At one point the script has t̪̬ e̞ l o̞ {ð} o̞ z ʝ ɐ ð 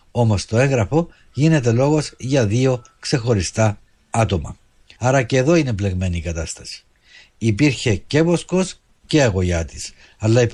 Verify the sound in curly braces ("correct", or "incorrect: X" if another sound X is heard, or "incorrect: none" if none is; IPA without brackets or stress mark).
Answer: incorrect: ɣ